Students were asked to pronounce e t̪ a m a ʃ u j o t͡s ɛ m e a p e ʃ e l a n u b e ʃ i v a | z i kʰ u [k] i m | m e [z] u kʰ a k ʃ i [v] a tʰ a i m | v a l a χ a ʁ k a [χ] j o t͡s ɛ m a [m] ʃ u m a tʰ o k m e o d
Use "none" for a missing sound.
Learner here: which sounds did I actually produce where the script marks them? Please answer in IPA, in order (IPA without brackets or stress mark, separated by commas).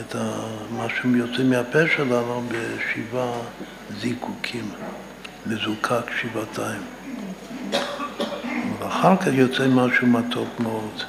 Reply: kʰ, z, v, χ, none